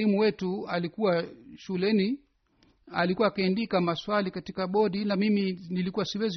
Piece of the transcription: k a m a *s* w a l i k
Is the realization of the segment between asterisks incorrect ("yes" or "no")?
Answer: no